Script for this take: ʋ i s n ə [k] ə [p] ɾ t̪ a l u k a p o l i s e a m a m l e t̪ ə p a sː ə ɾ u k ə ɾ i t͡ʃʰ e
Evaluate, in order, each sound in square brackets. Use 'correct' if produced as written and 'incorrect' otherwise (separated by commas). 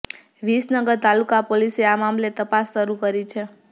incorrect, incorrect